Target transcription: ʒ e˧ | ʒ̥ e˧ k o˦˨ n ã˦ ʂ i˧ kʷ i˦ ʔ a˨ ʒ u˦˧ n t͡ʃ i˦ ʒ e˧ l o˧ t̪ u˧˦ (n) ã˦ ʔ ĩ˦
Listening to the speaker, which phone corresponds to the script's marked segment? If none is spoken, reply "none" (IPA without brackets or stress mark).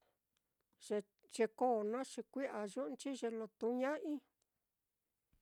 ɲ